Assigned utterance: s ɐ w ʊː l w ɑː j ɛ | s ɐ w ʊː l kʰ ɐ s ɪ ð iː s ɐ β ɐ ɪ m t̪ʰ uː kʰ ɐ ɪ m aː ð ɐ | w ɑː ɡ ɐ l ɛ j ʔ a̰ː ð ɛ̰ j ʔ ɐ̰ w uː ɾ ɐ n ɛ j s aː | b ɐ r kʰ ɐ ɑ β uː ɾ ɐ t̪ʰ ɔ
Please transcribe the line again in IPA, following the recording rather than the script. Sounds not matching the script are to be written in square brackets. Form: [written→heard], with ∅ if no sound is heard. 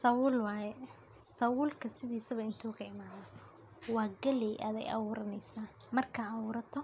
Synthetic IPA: s ɐ w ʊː l w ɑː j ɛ | s ɐ w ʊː l kʰ ɐ s ɪ ð iː s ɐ β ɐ ɪ [m→n] t̪ʰ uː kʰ ɐ ɪ m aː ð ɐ | w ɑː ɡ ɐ l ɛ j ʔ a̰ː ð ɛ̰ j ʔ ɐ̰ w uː ɾ ɐ n ɛ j s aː | [b→m] ɐ r kʰ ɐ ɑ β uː ɾ ɐ t̪ʰ ɔ